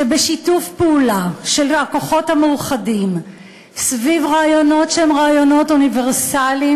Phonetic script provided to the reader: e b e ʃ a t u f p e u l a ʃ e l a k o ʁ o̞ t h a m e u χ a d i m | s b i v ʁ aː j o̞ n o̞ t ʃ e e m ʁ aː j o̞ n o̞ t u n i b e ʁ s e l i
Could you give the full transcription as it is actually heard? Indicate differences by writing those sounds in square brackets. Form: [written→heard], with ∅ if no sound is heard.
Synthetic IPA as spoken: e b e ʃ [a→i] t u f p e u l a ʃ e l a k o [ʁ→χ] o̞ t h a m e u χ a d i m | s [b→v] i v ʁ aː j o̞ n o̞ t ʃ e e m ʁ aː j o̞ n o̞ t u n i [b→v] e ʁ s [e→a] l i